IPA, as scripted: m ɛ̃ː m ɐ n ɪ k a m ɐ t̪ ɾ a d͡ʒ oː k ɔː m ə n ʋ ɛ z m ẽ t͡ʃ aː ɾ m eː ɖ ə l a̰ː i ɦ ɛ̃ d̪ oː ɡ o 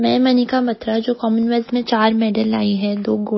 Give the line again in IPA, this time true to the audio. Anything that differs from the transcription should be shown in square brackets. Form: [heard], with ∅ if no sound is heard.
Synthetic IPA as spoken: m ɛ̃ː m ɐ n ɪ k a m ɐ t̪ ɾ a d͡ʒ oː k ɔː m ə n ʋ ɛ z m ẽ t͡ʃ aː ɾ m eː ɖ ə l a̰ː i ɦ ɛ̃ d̪ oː ɡ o